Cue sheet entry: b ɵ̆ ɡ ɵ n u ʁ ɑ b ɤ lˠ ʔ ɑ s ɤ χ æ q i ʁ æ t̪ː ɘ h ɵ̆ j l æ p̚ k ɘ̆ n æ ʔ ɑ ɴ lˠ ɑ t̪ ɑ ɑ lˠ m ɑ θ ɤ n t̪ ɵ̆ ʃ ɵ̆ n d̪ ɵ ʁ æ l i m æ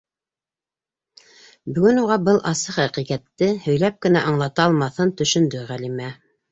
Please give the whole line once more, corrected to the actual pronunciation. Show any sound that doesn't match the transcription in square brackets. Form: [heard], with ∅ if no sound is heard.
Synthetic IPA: b ɵ̆ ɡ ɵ n u ʁ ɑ b ɤ lˠ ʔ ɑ s ɤ χ æ q i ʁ æ t̪ː ɘ h ɵ̆ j l æ p̚ k ɘ̆ n æ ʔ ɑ ɴ lˠ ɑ t̪ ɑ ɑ lˠ m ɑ θ ɤ n t̪ ɵ̆ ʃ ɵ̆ n d̪ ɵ ʁ æ l i m æ